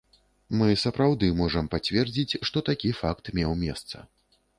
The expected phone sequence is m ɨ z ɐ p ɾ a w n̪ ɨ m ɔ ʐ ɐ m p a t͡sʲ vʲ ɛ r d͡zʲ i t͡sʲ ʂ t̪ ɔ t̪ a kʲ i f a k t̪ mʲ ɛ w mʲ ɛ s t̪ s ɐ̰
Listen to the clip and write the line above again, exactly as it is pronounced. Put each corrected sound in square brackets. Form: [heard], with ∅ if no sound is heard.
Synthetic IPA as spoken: m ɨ [s] ɐ p ɾ a w [d̪] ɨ m ɔ ʐ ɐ m p a t͡sʲ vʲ ɛ r d͡zʲ i t͡sʲ ʂ t̪ ɔ t̪ a kʲ i f a k t̪ mʲ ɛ w mʲ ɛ s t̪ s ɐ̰